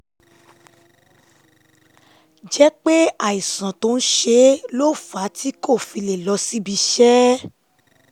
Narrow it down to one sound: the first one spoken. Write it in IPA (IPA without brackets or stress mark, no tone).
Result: d͡ʒ